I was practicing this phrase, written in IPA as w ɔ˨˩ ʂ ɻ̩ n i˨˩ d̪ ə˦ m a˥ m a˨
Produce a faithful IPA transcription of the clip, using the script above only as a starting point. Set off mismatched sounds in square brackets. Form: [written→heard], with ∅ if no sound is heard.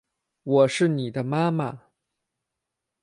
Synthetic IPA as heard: w ɔ˨˩ ʂ ɻ̩ n i˨˩ d̪ ə˦ m a˥ m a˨